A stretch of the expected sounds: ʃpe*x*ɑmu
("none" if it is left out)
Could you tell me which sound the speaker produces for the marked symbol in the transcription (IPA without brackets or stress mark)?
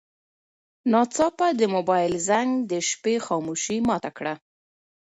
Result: x